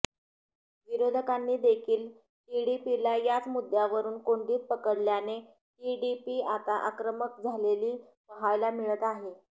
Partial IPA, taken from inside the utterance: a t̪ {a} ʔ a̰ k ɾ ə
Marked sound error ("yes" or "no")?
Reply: no